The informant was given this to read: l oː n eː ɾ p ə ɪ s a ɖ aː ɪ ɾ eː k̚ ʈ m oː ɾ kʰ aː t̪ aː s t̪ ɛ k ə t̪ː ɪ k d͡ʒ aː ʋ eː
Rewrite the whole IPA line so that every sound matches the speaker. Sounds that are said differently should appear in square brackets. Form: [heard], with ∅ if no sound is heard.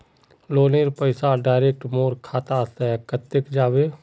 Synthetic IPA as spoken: l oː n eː ɾ p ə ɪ s a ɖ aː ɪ ɾ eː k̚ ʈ m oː ɾ kʰ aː t̪ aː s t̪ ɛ k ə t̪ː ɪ k d͡ʒ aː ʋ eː